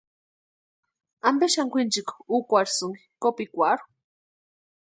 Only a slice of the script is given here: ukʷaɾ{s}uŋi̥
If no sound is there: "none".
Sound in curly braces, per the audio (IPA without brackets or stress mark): s